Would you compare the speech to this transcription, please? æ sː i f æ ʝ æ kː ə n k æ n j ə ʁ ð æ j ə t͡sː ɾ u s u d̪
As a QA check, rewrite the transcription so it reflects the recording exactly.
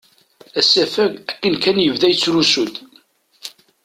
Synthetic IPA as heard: æ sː æ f æ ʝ æ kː ə n k æ n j ə v ð æ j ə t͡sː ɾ u s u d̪